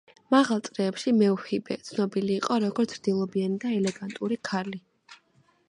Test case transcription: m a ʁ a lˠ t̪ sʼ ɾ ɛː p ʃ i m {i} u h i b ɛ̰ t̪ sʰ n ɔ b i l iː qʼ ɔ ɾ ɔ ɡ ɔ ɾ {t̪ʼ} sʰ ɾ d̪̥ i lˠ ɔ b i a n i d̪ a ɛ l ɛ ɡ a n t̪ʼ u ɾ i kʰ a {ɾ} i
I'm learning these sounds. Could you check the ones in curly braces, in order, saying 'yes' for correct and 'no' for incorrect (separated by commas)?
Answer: no, no, no